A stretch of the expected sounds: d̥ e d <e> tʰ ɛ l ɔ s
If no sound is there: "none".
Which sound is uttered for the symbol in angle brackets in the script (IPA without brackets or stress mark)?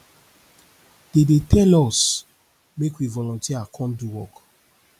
e